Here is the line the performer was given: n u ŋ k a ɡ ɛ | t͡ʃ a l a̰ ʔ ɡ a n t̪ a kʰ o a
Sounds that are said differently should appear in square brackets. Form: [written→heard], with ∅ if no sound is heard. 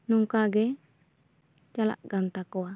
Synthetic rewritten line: n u ŋ k a ɡ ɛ | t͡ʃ a l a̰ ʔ ɡ a n t̪ a [kʰ→k] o a